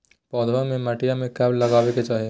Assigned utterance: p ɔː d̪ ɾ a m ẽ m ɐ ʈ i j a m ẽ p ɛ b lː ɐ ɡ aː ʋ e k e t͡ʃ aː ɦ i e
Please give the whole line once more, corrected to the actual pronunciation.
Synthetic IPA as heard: p ɔː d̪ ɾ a m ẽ m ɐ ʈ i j a m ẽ k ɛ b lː ɐ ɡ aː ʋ e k e t͡ʃ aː ɦ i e